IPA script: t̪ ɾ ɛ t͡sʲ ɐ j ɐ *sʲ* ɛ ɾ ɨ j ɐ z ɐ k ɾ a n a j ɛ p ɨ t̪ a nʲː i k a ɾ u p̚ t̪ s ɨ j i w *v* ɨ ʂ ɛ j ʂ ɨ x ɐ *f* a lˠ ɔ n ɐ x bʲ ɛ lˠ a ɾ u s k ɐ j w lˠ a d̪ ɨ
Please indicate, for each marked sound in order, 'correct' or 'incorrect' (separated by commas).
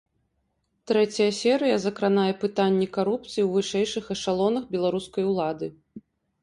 correct, correct, incorrect